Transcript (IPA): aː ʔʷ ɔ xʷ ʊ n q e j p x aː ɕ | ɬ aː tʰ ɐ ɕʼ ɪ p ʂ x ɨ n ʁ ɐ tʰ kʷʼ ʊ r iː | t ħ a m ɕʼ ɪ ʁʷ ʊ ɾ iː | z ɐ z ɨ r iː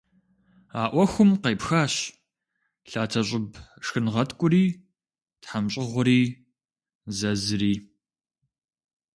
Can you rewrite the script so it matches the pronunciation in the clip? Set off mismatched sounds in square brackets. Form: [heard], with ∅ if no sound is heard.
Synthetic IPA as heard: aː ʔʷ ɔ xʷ ʊ [m] q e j p x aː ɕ | ɬ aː tʰ ɐ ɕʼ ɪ [b] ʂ x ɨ n ʁ ɐ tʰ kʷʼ ʊ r iː | t ħ a m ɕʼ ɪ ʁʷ ʊ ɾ iː | z ɐ z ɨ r iː